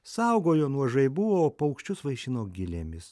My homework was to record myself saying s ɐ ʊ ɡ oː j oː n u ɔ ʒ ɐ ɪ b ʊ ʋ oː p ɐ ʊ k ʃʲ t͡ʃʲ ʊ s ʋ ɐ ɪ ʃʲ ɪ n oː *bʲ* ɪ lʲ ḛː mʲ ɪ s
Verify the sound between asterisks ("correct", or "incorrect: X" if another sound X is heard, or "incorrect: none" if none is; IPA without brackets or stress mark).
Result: incorrect: ɡʲ